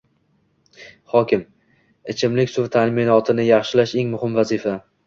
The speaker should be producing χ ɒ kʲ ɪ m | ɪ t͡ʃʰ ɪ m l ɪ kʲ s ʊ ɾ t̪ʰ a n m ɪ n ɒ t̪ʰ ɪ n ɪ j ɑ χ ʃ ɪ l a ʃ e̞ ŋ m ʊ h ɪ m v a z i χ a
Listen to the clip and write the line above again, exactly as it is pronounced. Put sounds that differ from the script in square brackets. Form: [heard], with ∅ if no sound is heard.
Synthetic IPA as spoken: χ ɒ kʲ ɪ m | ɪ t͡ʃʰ ɪ m l ɪ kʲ s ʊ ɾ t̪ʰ a n m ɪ n ɒ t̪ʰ ɪ n ɪ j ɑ χ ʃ ɪ l a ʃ e̞ ŋ m ʊ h ɪ m v a z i [f] a

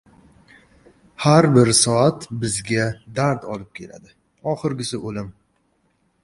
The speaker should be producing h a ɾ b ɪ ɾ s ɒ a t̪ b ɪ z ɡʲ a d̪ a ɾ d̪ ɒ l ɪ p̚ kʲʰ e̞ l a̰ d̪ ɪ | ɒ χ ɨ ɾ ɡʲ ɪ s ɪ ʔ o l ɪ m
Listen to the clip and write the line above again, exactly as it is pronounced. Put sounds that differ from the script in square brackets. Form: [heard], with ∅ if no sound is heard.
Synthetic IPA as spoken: h a ɾ b ɪ ɾ s ɒ a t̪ b ɪ z ɡʲ a d̪ a ɾ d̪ ɒ l ɪ p̚ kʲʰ e̞ l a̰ d̪ ɪ | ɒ χ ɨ ɾ ɡʲ ɪ s ɪ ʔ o l ɪ m

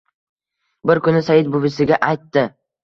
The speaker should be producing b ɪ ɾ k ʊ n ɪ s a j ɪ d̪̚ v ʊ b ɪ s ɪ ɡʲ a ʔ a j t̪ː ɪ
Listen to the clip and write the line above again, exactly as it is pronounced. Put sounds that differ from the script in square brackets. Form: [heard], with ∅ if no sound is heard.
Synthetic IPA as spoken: b ɪ ɾ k ʊ n ɪ s a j ɪ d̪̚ [b] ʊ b ɪ s ɪ ɡʲ a ʔ a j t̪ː ɪ

